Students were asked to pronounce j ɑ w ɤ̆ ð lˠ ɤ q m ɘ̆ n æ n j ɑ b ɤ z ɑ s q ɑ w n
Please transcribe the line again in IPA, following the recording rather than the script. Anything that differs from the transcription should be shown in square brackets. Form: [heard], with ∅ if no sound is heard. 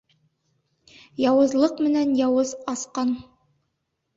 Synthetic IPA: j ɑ w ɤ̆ [z] lˠ ɤ q m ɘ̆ n æ n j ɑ [w] ɤ z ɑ s q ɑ [∅] n